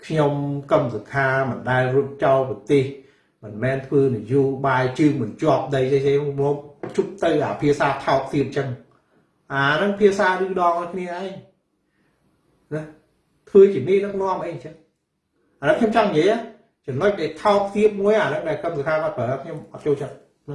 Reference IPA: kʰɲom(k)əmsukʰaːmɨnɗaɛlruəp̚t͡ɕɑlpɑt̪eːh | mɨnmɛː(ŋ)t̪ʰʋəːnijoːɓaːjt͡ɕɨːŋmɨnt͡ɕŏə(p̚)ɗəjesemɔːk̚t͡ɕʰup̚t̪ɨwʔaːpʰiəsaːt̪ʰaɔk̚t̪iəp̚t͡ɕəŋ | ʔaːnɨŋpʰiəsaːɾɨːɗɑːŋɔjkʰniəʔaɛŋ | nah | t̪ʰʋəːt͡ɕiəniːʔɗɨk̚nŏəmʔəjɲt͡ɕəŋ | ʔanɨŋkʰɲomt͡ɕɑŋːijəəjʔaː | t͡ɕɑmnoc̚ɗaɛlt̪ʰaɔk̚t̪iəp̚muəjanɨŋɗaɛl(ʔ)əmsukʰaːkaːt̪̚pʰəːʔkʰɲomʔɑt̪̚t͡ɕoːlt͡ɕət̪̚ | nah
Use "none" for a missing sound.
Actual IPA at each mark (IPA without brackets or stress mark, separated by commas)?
k, n, p̚, k